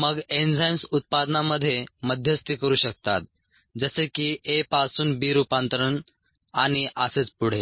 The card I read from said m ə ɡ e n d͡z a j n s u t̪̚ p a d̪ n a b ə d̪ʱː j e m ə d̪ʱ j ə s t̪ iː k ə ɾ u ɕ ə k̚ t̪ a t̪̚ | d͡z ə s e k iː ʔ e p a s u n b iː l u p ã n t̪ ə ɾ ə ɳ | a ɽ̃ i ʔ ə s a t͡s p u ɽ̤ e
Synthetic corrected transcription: m ə ɡ e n d͡z a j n s u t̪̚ p a d̪ n a m ə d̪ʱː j e m ə d̪ʱ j ə s t̪ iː k ə ɾ uː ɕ ə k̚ t̪ a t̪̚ | d͡z ə s e k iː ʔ e p a s uː n b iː ɾ u p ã n t̪ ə ɾ ə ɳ | a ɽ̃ i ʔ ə s e t͡s p u ɽ̤ e

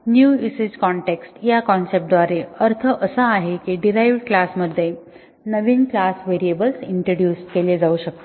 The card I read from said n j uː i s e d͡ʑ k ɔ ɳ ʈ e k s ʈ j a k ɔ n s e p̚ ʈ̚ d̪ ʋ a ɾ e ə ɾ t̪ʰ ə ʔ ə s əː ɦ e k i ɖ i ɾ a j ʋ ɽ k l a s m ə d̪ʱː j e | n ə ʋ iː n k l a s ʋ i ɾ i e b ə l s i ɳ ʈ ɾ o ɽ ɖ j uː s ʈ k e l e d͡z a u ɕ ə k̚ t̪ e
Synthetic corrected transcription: n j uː i s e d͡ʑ k ɔ ɳ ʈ e k s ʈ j a k ɔ n s e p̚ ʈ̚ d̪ ʋ a ɾ e ə ɾ t̪ʰ ə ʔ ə s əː ɦ e k i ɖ i ɾ a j ʋ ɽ k l a s m ə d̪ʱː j e | n ə ʋ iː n k l a s ʋ e ɾ i e b ə l s i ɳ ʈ ɾ o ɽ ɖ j uː s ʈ k e l e d͡z a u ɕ ə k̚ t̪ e

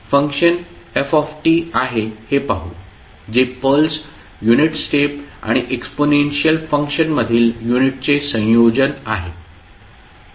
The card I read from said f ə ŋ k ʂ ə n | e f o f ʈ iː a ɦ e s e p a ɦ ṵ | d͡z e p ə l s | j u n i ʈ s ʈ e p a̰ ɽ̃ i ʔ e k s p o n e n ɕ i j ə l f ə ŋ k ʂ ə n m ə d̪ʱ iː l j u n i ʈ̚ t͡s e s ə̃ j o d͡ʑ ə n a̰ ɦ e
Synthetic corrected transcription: f ə ŋ k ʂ ə n | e f ɔ f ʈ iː a ɦ e h e p a ɦ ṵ | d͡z e p ə l s | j u n i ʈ s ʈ e p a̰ ɽ̃ i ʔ e k s p o n e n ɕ i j ə l f ə ŋ k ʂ ə n m ə d̪ʱ iː l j u n i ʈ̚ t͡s e s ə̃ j o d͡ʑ ə n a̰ ɦ e

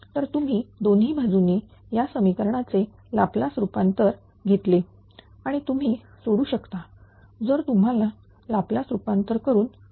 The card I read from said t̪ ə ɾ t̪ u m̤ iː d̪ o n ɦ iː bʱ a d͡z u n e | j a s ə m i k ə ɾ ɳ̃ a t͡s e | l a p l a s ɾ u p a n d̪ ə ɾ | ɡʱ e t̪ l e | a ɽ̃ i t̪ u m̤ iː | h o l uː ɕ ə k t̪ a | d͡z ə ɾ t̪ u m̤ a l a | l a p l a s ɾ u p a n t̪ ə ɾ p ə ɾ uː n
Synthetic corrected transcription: t̪ ə ɾ t̪ u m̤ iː d̪ o n ɦ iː bʱ a d͡z u n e | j a s ə m i k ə ɾ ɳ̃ a t͡s e | l a p l a s ɾ u p a n t̪ ə ɾ | ɡʱ e t̪ l e | a ɽ̃ i t̪ u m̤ iː | s o ɽ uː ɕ ə k t̪ a | d͡z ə ɾ t̪ u m̤ a l a | l a p l a s ɾ u p a n t̪ ə ɾ k ə ɾ uː n

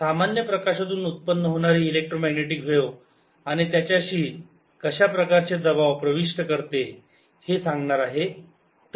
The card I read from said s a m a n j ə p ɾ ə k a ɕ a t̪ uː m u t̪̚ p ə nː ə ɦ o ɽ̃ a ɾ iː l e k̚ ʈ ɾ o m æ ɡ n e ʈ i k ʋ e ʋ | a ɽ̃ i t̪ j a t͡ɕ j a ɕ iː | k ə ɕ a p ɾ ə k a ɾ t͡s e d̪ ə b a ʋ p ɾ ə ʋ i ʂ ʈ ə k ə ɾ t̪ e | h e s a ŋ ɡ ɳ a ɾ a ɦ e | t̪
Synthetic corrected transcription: s a m a n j ə p ɾ ə k a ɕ a t̪ uː n u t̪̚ p ə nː ə ɦ o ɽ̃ a ɾ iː l e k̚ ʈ ɾ o m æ ɡ n e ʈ i k ʋ e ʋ | a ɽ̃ i t̪ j a t͡ɕ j a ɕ iː | k ə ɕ a p ɾ ə k a ɾ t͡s e d̪ ə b a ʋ p ɾ ə ʋ i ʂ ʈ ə k ə ɾ t̪ e | h e s a ŋ ɡ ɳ a ɾ a ɦ e | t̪

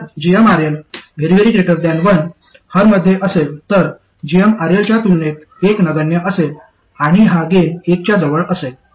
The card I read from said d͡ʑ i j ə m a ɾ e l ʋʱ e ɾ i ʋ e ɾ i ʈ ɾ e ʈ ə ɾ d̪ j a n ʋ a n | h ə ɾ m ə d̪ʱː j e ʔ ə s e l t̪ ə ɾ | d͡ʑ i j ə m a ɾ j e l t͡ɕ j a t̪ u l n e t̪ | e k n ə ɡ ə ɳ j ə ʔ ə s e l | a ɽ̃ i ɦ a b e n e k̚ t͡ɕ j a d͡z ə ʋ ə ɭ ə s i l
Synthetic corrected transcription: d͡ʑ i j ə m a ɾ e l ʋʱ e ɾ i ʋ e ɾ i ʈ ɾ e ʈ ə ɾ d̪ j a n ʋ ə n | h ə ɾ m ə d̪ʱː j e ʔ ə s e l t̪ ə ɾ | d͡ʑ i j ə m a ɾ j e l t͡ɕ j a t̪ u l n e t̪ | e k n ə ɡ ə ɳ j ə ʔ ə s e l | a ɽ̃ i ɦ a ɡ e n e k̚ t͡ɕ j a d͡z ə ʋ ə ɭ ə s e l

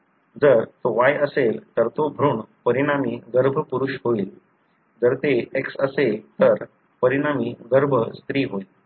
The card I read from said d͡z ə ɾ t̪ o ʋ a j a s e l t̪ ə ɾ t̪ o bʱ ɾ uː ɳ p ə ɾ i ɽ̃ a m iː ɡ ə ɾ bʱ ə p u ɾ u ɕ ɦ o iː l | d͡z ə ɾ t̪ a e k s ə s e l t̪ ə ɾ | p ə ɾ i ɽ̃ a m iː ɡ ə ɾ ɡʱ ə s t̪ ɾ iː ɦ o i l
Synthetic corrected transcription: d͡z ə ɾ t̪ o ʋ a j ə s e l t̪ ə ɾ t̪ o bʱ ɾ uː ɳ p ə ɾ i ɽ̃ a m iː ɡ ə ɾ bʱ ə p u ɾ u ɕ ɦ o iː l | d͡z ə ɾ t̪ e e k s ə s e l t̪ ə ɾ | p ə ɾ i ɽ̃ a m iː ɡ ə ɾ bʱ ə s t̪ ɾ iː ɦ o i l

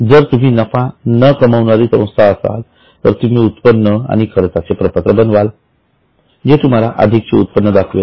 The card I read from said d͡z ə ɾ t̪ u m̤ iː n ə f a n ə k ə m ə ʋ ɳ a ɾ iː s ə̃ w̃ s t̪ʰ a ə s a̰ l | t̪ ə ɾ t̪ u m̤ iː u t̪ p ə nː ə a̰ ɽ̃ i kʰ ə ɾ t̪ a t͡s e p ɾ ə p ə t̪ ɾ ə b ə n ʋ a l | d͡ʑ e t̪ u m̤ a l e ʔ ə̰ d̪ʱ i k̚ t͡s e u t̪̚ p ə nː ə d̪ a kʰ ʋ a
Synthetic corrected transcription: d͡z ə ɾ t̪ u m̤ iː n ə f a n ə k ə m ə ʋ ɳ a ɾ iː s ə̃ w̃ s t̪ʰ a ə s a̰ l | t̪ ə ɾ t̪ u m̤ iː u t̪ p ə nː ə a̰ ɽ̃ i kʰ ə ɾ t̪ a t͡s e p ɾ ə p ə t̪ ɾ ə b ə n ʋ a l | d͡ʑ e t̪ u m̤ a l a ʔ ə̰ d̪ʱ i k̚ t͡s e u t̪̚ p ə nː ə d̪ a kʰ ʋ e

